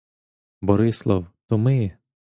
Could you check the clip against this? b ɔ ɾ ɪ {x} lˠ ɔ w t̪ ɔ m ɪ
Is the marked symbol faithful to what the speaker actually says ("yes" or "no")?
no